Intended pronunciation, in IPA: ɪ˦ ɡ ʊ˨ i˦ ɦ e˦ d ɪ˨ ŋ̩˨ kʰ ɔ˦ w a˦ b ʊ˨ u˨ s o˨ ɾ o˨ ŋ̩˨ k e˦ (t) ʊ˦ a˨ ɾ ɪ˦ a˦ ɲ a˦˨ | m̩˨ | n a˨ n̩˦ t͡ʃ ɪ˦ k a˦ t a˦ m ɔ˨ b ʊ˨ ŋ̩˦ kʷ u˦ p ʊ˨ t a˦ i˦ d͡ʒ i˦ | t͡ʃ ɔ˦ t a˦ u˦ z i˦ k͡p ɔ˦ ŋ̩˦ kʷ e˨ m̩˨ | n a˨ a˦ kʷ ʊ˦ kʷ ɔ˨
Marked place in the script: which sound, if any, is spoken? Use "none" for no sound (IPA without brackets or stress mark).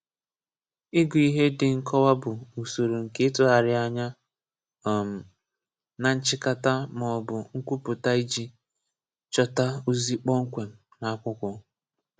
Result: t